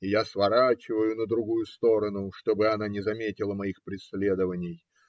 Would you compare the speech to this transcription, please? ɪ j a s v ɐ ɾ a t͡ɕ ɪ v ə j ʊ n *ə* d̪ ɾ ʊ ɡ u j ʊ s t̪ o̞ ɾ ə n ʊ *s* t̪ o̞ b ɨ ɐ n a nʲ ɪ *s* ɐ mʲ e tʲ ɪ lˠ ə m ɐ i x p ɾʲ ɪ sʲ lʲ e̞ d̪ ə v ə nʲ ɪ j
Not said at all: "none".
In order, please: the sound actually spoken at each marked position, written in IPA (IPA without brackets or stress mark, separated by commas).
ə, ʂ, z